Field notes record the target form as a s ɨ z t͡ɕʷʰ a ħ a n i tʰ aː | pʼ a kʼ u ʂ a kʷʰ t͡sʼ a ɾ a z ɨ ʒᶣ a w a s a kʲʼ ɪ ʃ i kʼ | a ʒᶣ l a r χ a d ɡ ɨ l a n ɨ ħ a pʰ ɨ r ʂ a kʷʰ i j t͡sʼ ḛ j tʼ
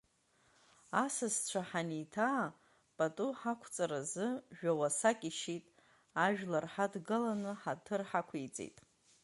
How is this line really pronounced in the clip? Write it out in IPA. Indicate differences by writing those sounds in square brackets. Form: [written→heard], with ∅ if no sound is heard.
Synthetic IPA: a s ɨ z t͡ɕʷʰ a ħ a n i tʰ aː | pʼ a [kʼ→tʼ] u [ʂ→ħ] a kʷʰ t͡sʼ a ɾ a z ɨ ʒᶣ a w a s a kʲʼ [ɪ→i] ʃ i [kʼ→tʼ] | a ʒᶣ l a r [χ→ħ] a d ɡ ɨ l a n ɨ ħ a [pʰ→tʰ] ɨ r [ʂ→ħ] a kʷʰ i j t͡sʼ ḛ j tʼ